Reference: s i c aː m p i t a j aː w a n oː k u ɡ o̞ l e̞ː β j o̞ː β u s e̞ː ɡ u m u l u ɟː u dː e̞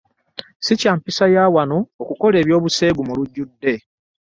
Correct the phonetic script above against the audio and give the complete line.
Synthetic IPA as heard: s i c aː m p i s a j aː w a n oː k u k o̞ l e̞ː β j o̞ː β u s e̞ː ɡ u m u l u ɟː u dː e̞

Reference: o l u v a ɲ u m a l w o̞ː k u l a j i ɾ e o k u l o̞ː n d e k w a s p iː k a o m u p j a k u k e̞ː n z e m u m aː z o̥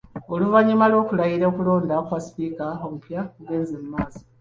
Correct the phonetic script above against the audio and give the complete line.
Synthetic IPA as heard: o l u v a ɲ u m a l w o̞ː k u l a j i ɾ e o k u l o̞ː n d a k w a s p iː k a o m u p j a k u ɡ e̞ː n z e m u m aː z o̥

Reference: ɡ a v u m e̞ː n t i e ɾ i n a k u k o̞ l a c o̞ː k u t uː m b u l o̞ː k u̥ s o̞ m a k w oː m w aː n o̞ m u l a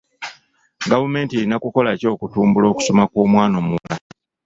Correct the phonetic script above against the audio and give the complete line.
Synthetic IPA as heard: ɡ a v u m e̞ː n t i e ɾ i n a k u k o̞ l a c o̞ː k u t uː m b u l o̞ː k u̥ s o̞ m a k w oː m w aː n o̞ m u l a

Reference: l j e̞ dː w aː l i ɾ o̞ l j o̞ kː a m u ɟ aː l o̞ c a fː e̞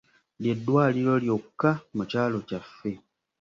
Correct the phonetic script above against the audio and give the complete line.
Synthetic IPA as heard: l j e̞ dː w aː l i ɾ o̞ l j o̞ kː a m u c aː l o̞ c a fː e̞

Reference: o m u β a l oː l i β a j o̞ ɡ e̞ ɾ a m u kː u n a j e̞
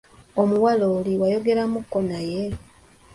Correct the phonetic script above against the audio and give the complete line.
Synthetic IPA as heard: o m u w a l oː l i w a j o̞ ɡ e̞ ɾ a m u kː o n a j e̞

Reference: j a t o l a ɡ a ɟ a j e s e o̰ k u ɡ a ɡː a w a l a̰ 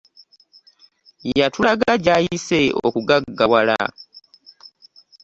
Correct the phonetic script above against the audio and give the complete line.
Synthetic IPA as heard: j a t u l a ɡ a ɟ a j i s e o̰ k u ɡ a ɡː a w a l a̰

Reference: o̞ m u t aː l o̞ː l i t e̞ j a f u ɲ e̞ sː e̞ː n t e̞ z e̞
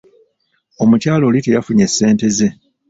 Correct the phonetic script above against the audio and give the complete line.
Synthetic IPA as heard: o̞ m u c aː l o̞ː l i t e̞ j a f u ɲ e̞ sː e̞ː n t e̞ z e̞

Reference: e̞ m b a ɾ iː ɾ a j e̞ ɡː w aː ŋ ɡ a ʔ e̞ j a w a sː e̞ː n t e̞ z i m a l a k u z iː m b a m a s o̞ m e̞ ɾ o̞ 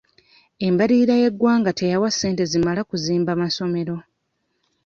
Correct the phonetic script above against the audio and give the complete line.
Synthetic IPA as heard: e̞ m b a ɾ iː ɾ a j e̞ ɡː w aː ŋ ɡ a t e̞ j a w a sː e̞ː n t e̞ z i m a l a k u z iː m b a m a s o̞ m e̞ ɾ o̞

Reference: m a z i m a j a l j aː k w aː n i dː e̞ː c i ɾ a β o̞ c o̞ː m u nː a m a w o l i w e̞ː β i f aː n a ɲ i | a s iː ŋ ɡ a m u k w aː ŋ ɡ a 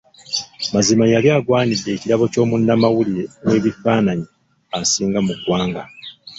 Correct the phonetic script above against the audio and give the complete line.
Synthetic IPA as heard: m a z i m a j a l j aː ɡ w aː n i dː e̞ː c i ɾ a β o̞ c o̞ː m u nː a m a w u l i w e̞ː β i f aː n a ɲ i | a s iː ŋ ɡ a m u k w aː ŋ ɡ a

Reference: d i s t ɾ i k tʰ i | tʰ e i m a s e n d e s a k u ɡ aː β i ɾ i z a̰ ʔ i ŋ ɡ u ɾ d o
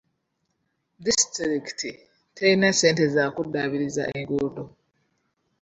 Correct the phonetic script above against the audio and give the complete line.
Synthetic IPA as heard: d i s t ɾ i k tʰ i | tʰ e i n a s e n t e z a k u d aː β i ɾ i z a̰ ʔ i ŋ ɡ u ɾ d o

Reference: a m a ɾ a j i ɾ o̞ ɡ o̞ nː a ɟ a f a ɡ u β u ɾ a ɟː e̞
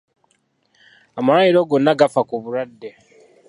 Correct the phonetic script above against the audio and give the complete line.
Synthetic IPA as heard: a m a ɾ a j i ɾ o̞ ɡ o̞ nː a ɡ a f a k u β u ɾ a dː e̞

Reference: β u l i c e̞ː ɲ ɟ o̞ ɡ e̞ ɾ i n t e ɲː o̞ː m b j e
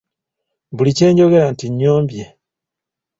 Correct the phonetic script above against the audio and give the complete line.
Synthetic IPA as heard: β u l i c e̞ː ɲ ɟ o̞ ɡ e̞ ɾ a n t i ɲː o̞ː m b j e

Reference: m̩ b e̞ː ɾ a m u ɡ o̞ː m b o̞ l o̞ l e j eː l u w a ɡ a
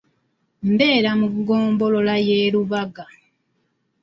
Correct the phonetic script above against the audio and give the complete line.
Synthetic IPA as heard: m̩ b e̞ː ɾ a m u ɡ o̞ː m b o̞ l o̞ l a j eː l u β a ɡ a

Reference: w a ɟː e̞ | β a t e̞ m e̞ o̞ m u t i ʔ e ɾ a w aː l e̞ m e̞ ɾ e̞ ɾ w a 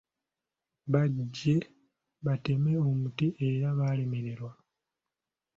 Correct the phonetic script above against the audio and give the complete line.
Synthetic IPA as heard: β a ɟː e̞ | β a t e̞ m e̞ o̞ m u t i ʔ e ɾ a β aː l e̞ m e̞ ɾ e̞ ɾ w a

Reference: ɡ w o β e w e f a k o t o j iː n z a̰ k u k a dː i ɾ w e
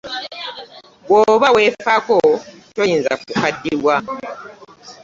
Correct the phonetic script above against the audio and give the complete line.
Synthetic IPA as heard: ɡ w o β a w e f a k o t o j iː n z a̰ k u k a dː i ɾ w a

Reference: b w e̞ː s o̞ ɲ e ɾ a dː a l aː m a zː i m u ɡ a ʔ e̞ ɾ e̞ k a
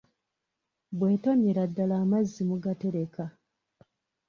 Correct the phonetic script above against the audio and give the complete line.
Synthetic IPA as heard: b w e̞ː t o̞ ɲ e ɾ a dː a l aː m a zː i m u ɡ a t e̞ ɾ e̞ k a

